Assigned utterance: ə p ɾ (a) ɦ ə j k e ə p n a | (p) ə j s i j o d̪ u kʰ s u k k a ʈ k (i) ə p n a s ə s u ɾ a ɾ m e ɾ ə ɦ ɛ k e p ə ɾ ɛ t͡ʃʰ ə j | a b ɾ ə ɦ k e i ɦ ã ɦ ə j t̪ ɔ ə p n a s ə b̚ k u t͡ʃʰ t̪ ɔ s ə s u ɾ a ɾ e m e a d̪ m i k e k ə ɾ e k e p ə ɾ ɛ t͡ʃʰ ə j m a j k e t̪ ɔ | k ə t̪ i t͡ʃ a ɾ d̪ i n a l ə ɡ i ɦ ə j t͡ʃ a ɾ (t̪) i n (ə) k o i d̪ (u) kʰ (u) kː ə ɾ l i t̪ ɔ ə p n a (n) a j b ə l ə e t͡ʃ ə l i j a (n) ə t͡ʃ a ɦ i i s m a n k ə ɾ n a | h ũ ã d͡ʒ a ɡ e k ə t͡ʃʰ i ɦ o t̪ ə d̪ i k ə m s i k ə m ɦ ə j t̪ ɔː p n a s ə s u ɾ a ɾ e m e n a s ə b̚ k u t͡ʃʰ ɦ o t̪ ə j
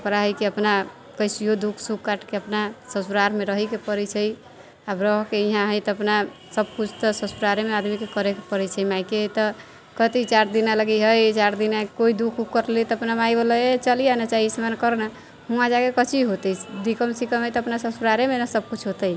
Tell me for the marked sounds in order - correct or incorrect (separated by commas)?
correct, incorrect, incorrect, incorrect, incorrect, correct, correct, incorrect, correct